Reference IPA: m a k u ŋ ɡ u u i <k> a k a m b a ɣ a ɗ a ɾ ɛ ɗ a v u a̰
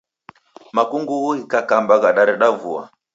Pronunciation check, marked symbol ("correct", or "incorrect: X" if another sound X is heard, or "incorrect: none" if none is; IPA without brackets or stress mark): correct